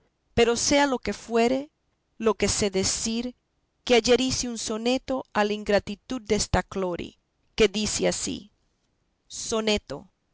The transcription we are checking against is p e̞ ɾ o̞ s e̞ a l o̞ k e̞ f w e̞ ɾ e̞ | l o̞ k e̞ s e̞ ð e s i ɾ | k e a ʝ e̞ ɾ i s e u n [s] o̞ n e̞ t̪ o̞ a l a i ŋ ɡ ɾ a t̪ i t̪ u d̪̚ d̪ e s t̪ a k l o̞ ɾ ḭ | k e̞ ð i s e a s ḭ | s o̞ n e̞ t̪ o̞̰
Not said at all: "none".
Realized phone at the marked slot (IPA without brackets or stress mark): s